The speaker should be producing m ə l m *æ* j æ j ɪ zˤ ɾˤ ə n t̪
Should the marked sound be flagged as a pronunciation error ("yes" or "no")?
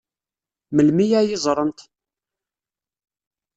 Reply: yes